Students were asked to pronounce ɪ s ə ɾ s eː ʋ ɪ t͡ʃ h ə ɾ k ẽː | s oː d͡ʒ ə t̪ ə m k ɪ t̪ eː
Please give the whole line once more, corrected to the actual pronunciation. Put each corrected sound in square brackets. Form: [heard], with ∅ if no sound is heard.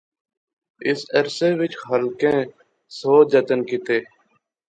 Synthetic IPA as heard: ɪ s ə ɾ s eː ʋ ɪ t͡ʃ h ə [l] k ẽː | s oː d͡ʒ ə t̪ ə [n] k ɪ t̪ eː